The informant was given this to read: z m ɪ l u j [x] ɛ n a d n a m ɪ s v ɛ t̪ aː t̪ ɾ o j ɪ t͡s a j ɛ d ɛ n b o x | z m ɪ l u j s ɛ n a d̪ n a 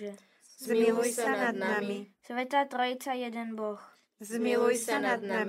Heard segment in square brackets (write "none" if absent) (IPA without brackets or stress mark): s